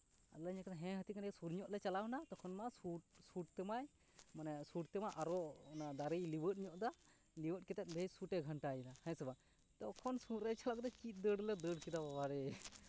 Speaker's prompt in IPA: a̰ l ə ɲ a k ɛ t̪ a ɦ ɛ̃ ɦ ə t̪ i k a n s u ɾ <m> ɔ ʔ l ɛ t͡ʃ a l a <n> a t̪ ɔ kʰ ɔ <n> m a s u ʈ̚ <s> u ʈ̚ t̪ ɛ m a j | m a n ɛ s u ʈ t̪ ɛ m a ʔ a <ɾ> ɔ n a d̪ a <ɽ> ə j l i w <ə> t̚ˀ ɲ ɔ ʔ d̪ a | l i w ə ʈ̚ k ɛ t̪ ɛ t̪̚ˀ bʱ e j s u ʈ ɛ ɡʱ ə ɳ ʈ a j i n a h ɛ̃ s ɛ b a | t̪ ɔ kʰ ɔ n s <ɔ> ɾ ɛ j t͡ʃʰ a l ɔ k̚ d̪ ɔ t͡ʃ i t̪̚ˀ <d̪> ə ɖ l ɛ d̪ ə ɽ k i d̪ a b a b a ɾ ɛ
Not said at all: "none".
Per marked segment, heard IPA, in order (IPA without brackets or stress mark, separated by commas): ɲ, n, n, s, ɾ, ɾ, ə, u, d̪